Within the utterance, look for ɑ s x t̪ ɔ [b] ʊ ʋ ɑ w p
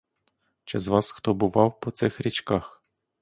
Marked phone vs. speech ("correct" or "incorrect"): correct